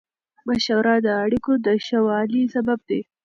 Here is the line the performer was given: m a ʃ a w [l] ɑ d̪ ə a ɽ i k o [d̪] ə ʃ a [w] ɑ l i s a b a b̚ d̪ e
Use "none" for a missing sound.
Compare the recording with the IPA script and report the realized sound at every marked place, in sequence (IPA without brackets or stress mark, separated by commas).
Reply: ɾ, d̪, w